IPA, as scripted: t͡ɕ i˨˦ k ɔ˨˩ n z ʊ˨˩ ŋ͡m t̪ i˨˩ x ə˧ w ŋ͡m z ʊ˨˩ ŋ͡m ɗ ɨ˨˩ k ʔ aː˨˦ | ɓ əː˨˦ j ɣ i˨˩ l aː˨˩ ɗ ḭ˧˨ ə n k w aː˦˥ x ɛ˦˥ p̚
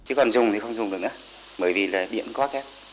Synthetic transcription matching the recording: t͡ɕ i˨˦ k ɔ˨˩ n z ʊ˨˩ ŋ͡m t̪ i˨˩ x ə˧ w ŋ͡m z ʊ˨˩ ŋ͡m ɗ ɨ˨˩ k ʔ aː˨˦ | ɓ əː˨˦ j v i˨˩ l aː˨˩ ɗ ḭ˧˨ ə n k w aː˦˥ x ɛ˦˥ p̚

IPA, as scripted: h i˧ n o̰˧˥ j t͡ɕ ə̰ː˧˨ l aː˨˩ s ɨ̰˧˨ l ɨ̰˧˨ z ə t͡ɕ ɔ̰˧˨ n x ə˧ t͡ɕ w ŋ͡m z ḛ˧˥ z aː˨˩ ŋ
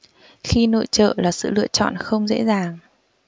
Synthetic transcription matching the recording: x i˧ n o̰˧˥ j t͡ɕ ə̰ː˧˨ l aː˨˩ s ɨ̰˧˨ l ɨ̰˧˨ ə t͡ɕ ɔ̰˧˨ n x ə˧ w ŋ͡m z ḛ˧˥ z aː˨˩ ŋ

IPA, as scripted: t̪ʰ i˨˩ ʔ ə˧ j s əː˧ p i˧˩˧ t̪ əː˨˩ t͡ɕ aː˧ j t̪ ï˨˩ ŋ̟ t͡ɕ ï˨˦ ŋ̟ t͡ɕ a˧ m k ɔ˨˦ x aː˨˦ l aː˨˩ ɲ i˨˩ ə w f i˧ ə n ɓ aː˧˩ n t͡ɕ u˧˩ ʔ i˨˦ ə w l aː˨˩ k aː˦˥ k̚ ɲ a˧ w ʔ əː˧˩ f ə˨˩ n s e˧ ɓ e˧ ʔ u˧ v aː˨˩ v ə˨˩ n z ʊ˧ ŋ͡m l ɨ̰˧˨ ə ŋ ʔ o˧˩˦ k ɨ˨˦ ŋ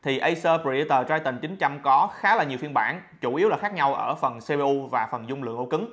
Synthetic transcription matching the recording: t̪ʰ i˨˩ ʔ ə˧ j s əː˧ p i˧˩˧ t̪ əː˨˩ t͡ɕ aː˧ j t̪ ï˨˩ ŋ̟ t͡ɕ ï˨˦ ŋ̟ t͡ɕ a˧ m k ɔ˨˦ x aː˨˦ l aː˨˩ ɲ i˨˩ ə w f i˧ ə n ɓ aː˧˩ n t͡ɕ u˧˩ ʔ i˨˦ ə w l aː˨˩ x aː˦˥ k̚ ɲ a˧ w ʔ əː˧˩ f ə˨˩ n s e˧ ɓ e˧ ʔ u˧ v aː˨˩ f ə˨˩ n z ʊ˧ ŋ͡m l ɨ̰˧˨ ə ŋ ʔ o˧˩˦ k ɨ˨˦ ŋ

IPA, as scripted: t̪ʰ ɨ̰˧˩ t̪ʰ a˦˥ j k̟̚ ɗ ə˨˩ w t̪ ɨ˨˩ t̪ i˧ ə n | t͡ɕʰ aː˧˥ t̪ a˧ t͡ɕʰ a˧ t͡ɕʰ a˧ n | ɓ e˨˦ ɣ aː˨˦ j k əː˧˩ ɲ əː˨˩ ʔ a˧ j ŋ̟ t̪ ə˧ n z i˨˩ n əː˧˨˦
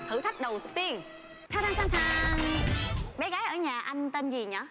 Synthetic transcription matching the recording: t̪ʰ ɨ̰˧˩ t̪ʰ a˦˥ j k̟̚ ɗ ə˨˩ w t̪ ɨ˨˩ t̪ i˧ ə n | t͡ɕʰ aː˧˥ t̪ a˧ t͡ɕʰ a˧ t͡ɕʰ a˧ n | ɓ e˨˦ ɣ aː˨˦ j ʔ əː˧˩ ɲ aː˨˩ ʔ a˧ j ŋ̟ t̪ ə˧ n z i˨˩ ɲ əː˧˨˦

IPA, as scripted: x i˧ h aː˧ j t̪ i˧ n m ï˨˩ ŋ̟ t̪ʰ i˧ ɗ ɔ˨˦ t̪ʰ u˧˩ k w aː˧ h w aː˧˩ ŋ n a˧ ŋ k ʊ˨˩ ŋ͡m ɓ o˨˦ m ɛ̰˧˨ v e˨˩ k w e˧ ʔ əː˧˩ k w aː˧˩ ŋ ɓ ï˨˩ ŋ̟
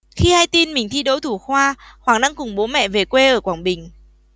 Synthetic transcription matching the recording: x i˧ h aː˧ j t̪ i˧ n m ï˨˩ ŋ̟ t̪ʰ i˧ ɗ o˨˦ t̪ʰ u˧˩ x w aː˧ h w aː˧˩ ŋ n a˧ ŋ k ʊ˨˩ ŋ͡m ɓ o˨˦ m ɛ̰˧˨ v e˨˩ k w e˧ ʔ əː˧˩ k w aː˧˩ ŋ ɓ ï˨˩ ŋ̟

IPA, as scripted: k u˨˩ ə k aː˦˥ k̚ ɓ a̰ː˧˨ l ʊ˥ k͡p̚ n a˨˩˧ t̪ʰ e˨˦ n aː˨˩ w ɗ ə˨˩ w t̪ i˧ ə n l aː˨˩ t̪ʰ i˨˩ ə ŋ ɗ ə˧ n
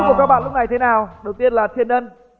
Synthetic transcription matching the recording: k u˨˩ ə k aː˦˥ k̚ ɓ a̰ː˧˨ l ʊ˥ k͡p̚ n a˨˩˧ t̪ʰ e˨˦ n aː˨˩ w ɗ ə˨˩ w t̪ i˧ ə n l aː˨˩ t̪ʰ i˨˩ ə n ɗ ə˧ n

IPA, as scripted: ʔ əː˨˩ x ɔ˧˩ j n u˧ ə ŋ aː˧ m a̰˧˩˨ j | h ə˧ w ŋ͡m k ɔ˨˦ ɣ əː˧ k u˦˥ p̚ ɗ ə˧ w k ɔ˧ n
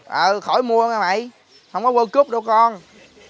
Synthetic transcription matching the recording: ʔ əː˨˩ x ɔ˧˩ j m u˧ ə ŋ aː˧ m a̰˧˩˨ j | h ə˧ w ŋ͡m k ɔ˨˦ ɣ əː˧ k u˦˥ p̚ ɗ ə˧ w k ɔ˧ n

